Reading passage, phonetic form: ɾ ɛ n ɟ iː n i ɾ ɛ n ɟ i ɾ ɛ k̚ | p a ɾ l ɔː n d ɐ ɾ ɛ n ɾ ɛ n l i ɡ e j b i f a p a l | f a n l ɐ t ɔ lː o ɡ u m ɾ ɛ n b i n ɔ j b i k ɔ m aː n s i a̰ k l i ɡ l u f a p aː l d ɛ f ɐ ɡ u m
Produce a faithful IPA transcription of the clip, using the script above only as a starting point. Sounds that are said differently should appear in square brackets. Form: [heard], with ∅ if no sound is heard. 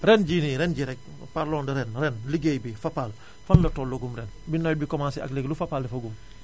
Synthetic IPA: ɾ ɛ n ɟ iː n i ɾ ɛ n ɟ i ɾ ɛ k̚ | p a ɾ l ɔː n d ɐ ɾ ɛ n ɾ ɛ n l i ɡ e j b i f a p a l | f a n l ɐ t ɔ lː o ɡ u m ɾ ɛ n b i n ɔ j b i k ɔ m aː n s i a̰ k l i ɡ l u f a p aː l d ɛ f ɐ ɡ u m